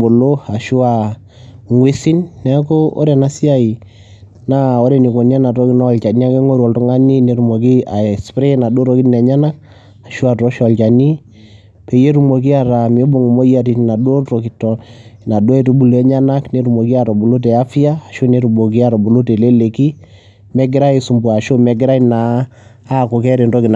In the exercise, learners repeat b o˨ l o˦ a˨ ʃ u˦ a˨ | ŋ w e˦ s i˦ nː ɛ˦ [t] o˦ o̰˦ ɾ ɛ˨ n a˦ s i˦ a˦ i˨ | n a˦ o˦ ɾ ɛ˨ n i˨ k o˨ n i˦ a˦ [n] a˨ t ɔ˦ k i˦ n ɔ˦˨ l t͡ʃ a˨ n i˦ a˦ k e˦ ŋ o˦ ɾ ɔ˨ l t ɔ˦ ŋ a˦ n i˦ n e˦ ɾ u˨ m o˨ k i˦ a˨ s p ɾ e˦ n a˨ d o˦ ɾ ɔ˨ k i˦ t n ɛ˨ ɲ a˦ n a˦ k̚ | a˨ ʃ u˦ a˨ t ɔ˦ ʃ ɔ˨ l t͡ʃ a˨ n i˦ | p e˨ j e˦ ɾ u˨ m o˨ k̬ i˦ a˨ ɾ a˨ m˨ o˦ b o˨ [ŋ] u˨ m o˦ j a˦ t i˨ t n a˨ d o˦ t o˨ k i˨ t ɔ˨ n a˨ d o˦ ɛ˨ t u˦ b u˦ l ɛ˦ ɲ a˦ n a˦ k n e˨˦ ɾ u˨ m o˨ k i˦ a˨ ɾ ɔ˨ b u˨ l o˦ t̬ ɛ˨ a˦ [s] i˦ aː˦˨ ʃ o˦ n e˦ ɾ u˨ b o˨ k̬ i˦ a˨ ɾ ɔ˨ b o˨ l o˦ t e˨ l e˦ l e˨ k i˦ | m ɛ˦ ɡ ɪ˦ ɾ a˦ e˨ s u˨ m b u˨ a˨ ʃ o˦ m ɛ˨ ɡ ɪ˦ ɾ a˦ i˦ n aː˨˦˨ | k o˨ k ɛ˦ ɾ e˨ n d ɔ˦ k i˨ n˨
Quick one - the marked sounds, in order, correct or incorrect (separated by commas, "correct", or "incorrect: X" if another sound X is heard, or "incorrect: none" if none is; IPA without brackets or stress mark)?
incorrect: k, correct, correct, incorrect: f